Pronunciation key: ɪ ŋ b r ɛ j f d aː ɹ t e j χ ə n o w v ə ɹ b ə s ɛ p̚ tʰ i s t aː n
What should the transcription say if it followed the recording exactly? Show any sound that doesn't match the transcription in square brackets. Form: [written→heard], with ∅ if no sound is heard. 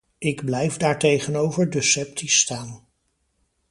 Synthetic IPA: ɪ [ŋ→ɡ] b [r→l] ɛ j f d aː ɹ t e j χ ə n o w v ə ɹ [b→d] ə s ɛ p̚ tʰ i s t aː n